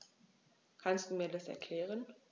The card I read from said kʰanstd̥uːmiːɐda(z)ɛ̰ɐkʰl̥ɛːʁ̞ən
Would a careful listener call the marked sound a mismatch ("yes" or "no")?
yes